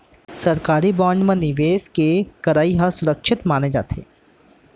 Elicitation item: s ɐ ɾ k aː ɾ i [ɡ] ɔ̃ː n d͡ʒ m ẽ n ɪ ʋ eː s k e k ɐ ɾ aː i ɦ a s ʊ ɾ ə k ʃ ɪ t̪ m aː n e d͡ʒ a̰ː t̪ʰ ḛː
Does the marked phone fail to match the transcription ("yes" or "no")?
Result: yes